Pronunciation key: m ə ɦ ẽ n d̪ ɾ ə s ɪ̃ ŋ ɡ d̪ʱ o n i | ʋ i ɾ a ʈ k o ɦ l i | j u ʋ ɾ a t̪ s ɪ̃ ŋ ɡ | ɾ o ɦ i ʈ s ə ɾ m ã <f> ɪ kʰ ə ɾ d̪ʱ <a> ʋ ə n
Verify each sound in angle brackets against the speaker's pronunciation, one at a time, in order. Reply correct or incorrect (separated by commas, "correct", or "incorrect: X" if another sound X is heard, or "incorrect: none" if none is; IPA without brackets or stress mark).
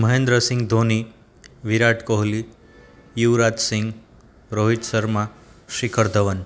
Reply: incorrect: ʃ, incorrect: ə